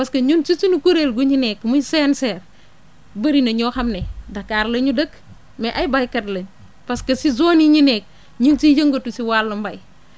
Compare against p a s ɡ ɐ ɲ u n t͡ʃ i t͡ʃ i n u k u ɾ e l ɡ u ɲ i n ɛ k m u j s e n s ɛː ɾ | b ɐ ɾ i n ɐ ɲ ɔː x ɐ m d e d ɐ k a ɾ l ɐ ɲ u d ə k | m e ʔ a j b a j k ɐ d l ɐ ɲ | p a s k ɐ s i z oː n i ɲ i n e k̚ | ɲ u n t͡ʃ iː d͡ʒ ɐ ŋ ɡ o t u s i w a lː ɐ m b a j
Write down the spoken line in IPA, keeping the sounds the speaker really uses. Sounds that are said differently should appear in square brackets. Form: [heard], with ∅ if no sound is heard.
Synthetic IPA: p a s [k] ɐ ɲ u n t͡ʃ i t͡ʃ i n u k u ɾ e l ɡ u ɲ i n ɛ k m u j s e n s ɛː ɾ | b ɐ ɾ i n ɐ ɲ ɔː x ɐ m [n] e d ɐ k a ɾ l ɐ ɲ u d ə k | m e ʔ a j b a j k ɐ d l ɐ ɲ | p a s k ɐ s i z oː n i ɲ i n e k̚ | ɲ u n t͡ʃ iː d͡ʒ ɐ ŋ ɡ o t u s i w a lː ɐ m b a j